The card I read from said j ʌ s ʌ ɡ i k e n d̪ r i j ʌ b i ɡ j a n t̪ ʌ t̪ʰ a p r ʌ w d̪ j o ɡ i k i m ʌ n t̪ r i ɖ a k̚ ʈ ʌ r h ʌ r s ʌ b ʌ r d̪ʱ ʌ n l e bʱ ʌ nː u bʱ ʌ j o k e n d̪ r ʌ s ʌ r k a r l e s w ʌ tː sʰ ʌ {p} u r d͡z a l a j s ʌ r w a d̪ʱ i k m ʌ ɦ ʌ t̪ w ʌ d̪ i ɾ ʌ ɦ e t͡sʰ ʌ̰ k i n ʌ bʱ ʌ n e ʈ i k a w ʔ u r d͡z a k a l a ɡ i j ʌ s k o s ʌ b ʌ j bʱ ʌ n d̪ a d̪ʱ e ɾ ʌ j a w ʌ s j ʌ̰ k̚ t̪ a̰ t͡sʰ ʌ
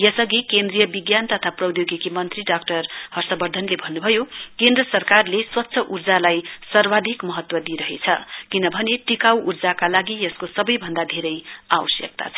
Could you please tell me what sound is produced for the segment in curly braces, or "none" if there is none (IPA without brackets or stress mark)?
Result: ʔ